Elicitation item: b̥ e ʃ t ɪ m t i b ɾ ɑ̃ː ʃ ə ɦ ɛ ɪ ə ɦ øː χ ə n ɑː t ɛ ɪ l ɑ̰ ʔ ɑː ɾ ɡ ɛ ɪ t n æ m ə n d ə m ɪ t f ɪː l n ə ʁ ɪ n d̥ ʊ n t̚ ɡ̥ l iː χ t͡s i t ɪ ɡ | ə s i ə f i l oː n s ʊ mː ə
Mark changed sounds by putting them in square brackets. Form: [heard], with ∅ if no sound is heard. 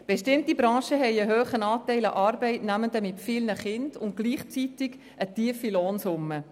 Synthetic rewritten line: b̥ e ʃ t ɪ m t i b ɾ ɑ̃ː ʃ ə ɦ ɛ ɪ ə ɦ øː χ ə n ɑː t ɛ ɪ l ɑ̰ ʔ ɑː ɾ [b] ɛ ɪ t n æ m ə n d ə m ɪ t f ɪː l n ə [χ] ɪ n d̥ ʊ n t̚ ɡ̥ l iː χ t͡s i t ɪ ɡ | ə [t] i ə f i l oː n s ʊ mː ə